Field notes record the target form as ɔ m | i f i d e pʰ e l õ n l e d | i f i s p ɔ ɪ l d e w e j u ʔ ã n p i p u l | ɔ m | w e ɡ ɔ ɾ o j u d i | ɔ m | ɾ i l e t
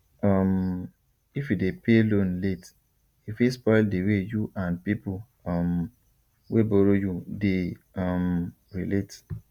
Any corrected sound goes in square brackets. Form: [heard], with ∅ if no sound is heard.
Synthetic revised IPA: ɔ m | i f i d e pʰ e l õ n l e [t] | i f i s p ɔ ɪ l d e w e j u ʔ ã n p i p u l | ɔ m | w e [b] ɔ ɾ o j u d [e] | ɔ m | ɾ i l e t